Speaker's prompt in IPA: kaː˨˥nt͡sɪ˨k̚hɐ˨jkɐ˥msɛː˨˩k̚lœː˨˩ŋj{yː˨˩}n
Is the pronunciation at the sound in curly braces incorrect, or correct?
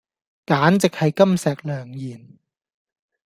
incorrect: iː˨˩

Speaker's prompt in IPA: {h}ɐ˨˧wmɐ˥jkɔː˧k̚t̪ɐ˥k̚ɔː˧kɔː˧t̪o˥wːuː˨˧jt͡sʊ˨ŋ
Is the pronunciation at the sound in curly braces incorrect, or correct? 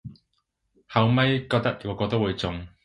correct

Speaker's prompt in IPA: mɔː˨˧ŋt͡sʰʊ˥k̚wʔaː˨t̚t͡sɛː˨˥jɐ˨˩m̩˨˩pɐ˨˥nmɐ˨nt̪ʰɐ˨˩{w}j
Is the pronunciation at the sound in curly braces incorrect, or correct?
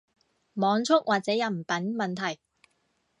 incorrect: none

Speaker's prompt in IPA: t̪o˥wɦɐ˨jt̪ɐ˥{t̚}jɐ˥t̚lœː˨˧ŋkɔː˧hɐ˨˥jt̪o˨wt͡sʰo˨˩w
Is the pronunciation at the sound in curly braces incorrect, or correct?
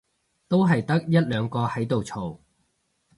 incorrect: k̚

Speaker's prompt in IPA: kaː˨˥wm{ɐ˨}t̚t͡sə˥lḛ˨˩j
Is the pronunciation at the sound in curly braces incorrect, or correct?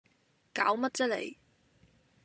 incorrect: ɐ˥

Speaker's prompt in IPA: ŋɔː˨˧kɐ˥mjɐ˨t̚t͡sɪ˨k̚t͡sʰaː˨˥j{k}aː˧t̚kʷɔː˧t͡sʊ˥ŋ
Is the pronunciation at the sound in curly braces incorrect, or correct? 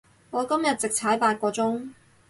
incorrect: p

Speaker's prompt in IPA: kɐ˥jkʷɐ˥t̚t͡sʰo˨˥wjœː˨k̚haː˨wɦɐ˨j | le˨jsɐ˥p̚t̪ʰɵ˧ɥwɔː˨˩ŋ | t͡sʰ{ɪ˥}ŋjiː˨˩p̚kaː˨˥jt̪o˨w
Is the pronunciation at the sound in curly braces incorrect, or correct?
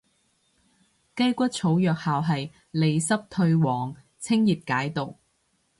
correct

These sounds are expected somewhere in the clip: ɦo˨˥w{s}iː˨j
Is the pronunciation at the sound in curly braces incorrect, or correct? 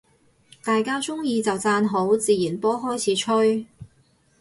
incorrect: t͡s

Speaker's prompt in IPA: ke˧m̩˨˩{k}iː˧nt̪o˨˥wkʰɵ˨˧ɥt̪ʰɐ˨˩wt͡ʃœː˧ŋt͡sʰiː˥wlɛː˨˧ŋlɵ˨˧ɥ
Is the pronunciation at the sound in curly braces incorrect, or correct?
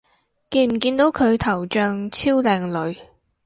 correct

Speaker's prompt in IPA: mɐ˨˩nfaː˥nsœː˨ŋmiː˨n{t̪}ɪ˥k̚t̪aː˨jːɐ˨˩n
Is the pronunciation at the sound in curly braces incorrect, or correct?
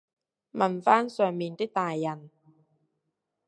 correct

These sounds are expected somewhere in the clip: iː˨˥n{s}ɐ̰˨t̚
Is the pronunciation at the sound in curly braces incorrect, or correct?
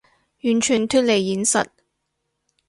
correct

